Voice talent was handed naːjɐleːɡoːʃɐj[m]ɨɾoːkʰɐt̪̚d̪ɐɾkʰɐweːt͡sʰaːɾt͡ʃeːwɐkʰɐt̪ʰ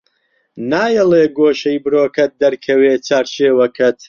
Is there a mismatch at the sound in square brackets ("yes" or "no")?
yes